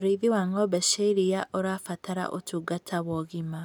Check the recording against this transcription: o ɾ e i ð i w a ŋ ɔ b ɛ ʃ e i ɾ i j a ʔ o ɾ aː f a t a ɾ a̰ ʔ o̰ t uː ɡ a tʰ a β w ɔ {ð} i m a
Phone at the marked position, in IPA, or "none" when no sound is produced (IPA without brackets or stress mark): ɣ